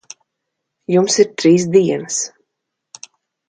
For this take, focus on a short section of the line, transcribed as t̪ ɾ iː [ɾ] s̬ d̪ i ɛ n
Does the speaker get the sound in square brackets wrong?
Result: yes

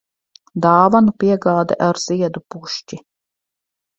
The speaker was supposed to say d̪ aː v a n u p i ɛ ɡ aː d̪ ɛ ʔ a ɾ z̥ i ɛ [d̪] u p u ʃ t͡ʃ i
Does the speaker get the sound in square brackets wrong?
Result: no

